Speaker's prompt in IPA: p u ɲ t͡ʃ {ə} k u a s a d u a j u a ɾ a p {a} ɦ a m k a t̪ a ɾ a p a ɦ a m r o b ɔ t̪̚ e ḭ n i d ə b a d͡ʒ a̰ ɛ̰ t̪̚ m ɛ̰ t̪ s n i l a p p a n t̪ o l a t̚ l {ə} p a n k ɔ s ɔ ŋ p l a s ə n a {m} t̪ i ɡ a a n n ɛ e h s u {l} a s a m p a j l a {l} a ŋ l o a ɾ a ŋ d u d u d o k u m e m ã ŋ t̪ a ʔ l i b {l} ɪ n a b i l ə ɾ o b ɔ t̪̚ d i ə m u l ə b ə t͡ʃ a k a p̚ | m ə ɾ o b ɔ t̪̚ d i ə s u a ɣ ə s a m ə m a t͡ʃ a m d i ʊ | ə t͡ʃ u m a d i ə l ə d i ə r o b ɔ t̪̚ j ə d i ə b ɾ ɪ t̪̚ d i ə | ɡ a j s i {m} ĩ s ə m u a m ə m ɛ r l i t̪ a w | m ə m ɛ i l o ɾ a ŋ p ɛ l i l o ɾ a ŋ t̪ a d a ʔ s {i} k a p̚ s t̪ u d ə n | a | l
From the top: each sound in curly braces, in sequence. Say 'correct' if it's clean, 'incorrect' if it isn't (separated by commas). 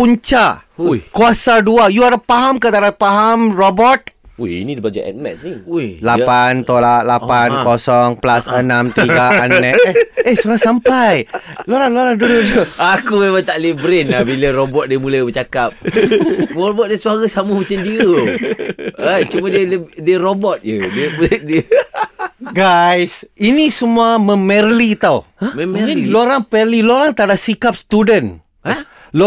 incorrect, correct, incorrect, correct, incorrect, incorrect, incorrect, incorrect, correct